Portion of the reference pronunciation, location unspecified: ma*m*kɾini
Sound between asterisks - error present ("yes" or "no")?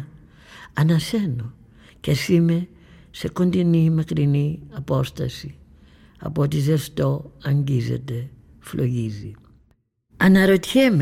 yes